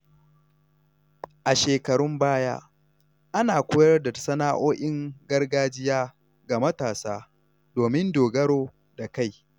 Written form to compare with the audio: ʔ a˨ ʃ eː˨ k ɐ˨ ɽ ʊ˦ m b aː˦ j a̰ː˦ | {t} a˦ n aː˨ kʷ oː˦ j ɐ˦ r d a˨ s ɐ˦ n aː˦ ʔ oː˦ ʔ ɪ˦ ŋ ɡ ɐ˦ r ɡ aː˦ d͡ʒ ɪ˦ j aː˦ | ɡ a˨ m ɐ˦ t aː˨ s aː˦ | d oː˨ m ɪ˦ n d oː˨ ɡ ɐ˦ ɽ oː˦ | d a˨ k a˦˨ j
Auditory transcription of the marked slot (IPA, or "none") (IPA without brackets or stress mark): ʔ